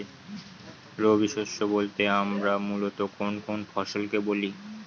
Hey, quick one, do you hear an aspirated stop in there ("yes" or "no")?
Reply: no